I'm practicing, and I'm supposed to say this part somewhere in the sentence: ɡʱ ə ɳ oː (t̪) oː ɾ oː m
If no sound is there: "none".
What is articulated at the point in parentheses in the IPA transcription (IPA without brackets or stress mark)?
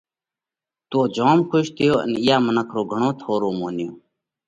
t̪ʰ